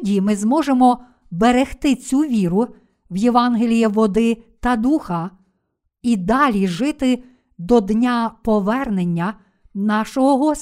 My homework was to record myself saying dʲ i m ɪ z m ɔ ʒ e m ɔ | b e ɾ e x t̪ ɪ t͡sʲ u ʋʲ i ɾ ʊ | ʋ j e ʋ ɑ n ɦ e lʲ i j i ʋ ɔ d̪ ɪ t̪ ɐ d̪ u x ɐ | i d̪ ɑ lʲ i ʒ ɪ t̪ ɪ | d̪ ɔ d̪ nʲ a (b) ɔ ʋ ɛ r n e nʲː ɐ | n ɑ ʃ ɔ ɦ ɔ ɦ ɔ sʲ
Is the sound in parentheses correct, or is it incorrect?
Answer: incorrect